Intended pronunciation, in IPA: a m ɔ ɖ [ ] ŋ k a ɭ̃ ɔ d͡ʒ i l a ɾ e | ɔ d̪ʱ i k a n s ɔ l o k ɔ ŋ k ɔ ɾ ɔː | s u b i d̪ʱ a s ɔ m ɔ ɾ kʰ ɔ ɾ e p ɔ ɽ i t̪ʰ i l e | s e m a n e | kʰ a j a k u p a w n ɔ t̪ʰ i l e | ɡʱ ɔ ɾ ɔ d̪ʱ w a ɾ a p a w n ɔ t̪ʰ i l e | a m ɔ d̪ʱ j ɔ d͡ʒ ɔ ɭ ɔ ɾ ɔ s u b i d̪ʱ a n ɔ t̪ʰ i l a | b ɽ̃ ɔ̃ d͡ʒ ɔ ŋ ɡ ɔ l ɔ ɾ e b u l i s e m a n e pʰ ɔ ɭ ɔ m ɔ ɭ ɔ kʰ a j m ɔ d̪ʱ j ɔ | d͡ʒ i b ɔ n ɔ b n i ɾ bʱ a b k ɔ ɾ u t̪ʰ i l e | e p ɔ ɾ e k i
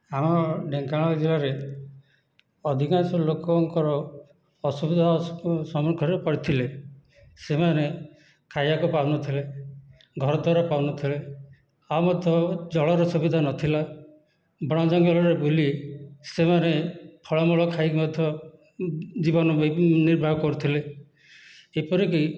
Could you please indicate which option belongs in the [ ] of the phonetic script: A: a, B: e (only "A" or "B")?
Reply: B